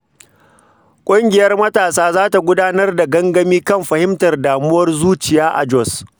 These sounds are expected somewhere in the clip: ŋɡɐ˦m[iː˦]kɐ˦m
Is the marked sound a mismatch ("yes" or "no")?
no